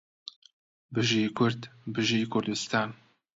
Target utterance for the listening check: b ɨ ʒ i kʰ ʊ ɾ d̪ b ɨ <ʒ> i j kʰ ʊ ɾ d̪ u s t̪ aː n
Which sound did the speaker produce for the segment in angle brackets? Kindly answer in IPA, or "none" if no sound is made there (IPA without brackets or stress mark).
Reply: ʒ